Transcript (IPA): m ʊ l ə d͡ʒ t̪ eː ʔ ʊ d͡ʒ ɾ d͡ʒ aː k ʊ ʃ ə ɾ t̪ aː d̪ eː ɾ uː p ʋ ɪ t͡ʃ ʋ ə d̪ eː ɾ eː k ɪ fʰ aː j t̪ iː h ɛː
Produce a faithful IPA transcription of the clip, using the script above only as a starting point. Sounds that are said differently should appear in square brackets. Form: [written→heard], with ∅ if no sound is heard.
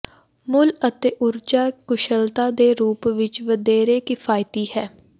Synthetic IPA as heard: m ʊ l ə [d͡ʒ→∅] t̪ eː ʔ ʊ [d͡ʒ→∅] ɾ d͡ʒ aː k ʊ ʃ ə [ɾ→l] t̪ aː d̪ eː ɾ uː p ʋ ɪ t͡ʃ ʋ ə d̪ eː ɾ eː k ɪ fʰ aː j t̪ iː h ɛː